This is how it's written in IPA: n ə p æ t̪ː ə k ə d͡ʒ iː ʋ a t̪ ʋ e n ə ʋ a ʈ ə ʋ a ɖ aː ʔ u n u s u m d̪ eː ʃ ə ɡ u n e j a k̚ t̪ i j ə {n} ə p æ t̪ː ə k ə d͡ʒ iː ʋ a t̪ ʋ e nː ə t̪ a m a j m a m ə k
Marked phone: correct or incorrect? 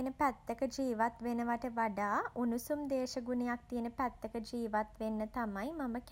correct